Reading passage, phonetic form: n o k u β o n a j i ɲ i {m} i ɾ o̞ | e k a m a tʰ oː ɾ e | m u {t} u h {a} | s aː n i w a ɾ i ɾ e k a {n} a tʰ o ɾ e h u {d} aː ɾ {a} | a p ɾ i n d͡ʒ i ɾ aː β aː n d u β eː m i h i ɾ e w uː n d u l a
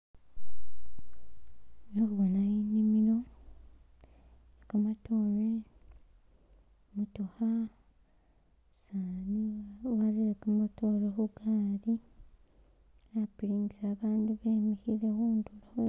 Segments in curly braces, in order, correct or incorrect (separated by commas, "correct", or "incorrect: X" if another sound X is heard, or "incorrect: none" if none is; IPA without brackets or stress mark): correct, correct, correct, incorrect: m, incorrect: ɡ, incorrect: i